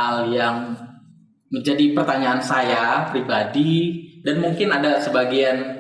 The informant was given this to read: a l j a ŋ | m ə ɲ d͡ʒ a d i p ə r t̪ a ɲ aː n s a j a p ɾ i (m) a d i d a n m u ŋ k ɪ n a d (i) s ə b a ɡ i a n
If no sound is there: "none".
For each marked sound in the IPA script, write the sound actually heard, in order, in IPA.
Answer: b, a

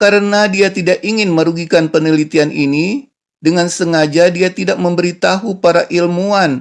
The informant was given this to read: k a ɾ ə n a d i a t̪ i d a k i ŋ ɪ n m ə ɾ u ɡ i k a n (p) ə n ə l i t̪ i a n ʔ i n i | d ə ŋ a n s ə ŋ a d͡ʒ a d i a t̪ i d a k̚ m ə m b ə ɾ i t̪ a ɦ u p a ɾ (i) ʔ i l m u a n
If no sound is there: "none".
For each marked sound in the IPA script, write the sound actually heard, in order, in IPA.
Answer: p, a

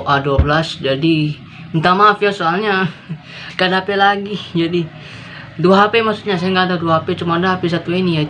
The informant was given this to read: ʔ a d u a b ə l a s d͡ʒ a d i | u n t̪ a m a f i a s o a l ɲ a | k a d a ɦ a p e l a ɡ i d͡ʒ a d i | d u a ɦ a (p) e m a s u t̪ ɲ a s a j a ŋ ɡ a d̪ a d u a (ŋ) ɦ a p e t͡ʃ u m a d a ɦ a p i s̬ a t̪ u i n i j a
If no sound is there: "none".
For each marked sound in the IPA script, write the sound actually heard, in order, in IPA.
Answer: p, none

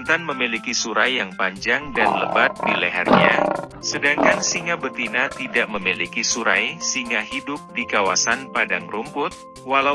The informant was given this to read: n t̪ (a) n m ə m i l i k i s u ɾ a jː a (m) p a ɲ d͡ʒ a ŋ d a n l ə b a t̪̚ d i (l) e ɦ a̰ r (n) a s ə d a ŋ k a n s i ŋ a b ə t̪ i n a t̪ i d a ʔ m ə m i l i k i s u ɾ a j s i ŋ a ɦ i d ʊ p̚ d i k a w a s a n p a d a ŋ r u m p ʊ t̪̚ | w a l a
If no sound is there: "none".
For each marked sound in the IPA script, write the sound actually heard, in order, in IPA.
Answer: a, ŋ, l, ɲ

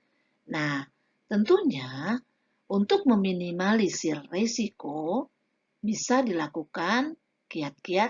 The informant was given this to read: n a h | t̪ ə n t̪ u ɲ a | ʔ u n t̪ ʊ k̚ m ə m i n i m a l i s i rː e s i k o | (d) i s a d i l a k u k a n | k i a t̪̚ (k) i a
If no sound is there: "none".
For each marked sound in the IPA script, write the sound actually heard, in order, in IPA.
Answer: b, k

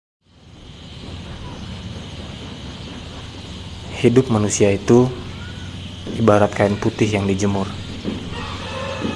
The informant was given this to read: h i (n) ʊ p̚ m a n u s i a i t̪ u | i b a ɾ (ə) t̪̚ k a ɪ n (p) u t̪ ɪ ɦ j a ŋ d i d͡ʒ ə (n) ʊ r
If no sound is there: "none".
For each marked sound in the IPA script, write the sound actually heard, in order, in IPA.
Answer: d, a, p, m

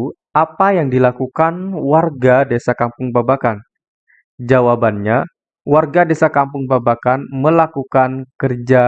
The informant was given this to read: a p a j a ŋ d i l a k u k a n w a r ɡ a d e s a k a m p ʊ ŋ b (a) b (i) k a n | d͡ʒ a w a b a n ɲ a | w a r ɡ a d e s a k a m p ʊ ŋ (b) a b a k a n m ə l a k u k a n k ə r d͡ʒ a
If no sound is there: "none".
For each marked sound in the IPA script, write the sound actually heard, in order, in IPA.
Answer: a, a, b

